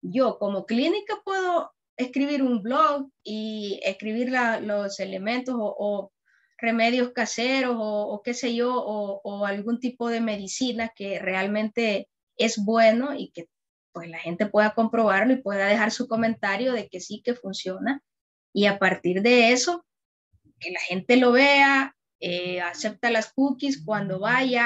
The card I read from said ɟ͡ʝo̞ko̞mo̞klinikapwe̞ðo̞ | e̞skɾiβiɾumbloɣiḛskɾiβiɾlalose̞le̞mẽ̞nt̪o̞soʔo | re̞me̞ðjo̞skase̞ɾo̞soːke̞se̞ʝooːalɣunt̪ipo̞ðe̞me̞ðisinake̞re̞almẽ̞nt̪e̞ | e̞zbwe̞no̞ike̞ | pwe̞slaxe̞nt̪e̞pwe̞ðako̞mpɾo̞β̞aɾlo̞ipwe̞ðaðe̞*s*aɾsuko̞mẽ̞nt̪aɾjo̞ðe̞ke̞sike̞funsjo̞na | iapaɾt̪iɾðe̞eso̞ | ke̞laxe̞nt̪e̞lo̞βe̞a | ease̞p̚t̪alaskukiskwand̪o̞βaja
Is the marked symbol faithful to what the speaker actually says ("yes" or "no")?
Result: no